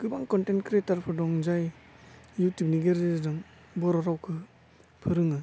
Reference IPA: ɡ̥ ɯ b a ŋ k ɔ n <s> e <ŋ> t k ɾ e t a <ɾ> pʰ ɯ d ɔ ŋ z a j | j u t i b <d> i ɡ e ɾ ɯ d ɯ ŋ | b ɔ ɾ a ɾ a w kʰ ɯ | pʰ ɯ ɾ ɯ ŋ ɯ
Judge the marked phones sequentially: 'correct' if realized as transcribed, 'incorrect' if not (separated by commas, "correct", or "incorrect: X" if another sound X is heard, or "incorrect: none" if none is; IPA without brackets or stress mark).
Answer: incorrect: t, incorrect: n, correct, incorrect: n